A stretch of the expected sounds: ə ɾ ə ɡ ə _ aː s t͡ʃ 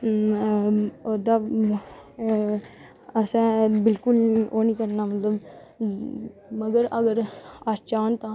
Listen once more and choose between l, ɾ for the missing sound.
ɾ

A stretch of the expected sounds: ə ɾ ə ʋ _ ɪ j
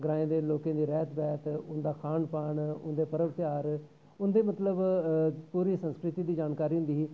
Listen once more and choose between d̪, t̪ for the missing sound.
t̪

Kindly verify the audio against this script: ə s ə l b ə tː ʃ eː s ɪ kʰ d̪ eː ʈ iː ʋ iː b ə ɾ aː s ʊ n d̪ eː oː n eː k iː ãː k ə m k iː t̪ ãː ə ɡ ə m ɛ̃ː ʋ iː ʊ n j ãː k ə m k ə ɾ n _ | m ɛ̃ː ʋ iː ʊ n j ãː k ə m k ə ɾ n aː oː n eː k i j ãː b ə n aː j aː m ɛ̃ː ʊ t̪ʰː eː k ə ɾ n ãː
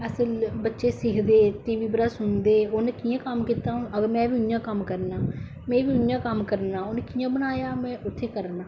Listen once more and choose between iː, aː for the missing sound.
aː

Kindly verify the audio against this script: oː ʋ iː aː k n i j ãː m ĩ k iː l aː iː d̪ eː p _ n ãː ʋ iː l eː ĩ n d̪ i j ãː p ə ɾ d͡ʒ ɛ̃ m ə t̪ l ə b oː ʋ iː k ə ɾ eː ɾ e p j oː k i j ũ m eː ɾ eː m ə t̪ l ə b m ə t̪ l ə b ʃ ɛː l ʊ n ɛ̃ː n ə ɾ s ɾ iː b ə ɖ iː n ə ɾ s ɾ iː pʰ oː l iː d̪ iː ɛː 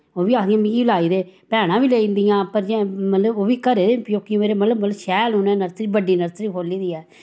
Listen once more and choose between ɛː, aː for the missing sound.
ɛː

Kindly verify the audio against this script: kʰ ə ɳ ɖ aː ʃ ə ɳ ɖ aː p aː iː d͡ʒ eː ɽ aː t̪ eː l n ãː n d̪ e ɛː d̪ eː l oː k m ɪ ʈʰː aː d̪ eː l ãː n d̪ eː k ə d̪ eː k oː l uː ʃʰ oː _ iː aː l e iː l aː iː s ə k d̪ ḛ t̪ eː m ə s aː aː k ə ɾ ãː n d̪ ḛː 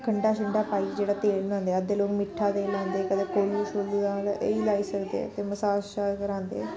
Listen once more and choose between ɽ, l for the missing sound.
l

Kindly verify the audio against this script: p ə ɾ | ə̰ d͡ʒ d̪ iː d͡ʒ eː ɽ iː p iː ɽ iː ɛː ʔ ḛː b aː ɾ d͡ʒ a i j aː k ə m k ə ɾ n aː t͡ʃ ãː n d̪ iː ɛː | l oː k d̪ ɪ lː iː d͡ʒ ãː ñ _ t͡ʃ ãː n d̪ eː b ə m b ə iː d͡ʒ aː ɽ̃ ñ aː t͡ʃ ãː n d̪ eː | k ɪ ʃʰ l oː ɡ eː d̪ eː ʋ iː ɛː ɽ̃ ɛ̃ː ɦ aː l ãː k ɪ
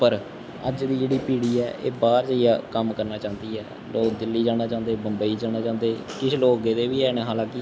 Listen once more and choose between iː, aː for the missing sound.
aː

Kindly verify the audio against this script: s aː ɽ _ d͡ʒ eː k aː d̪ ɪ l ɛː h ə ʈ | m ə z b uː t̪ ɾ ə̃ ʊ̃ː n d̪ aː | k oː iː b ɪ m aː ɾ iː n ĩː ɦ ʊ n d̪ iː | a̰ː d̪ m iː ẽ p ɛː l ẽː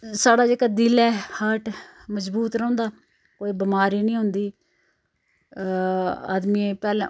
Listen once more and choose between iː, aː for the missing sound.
aː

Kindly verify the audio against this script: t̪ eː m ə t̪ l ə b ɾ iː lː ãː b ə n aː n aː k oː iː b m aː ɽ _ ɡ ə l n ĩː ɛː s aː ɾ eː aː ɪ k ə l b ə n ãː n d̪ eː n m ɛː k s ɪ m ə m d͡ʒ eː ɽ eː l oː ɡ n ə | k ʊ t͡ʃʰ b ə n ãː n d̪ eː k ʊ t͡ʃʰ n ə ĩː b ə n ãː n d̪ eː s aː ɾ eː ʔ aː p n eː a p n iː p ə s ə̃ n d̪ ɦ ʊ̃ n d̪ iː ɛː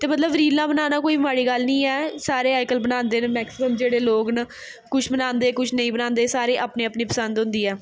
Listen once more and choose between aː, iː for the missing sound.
iː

